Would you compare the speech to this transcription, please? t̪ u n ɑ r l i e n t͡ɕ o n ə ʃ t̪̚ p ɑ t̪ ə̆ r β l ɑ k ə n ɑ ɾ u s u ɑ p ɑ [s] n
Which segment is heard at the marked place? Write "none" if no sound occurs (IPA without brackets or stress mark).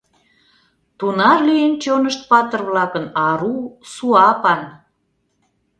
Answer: none